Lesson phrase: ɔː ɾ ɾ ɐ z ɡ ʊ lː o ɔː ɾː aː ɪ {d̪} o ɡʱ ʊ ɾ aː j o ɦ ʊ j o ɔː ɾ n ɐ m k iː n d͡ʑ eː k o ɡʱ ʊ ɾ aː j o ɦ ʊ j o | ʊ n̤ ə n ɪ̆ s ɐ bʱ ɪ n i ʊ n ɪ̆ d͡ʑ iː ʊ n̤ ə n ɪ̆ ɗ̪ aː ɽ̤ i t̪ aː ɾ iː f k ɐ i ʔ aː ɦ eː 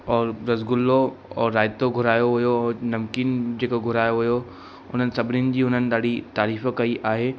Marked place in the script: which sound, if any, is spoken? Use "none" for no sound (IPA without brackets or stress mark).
t̪